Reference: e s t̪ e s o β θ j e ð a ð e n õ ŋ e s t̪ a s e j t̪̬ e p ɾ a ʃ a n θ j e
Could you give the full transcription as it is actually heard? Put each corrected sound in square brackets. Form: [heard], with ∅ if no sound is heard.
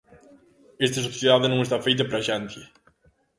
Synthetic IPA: e s t̪ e s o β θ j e ð a ð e n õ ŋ e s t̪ a [f] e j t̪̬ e p ɾ a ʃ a n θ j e